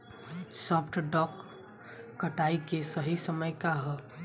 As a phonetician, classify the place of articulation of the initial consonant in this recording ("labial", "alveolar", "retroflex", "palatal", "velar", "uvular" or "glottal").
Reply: alveolar